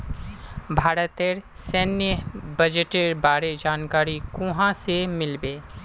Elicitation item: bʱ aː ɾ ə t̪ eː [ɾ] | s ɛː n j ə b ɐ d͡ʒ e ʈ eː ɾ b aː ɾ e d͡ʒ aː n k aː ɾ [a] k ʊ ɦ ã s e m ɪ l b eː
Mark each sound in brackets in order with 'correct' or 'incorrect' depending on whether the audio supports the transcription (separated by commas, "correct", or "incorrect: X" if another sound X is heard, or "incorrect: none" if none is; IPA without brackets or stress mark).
correct, incorrect: i